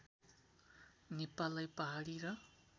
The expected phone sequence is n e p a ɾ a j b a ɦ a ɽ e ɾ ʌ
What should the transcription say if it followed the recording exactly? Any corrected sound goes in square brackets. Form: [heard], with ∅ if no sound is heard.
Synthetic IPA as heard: n e p a [l] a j [p] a ɦ a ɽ [i] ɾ ʌ